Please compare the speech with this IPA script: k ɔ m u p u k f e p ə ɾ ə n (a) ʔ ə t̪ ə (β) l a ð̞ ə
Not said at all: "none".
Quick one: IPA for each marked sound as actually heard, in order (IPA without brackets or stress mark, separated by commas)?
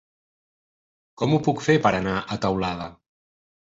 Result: a, w